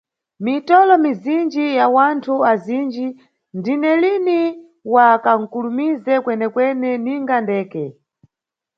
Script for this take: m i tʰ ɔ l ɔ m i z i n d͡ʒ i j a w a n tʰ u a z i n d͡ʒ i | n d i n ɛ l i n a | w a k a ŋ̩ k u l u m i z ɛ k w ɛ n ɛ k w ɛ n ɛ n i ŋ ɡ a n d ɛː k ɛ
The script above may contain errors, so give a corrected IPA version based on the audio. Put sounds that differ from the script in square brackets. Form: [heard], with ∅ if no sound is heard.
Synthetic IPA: m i [t] ɔ l ɔ m i z i n d͡ʒ i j a w a n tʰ u a z i n d͡ʒ i | n d i n ɛ l i n [i] | w a k a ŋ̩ k u l u m i z ɛ k w ɛ n ɛ k w ɛ n ɛ n i ŋ ɡ a n d ɛː k ɛ